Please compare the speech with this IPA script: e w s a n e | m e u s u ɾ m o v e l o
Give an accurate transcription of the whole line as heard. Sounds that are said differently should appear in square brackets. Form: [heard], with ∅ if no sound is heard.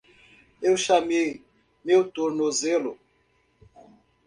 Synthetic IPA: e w [ʃ] a [m] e | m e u [t] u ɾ [n] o [z] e l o